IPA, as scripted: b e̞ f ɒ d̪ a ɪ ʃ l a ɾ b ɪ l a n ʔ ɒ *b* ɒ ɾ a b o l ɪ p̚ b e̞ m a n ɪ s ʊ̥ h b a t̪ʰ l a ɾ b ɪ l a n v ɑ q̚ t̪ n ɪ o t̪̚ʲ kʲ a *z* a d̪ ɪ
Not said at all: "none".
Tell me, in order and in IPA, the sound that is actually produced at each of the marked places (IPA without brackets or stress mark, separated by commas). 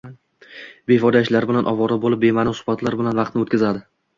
v, z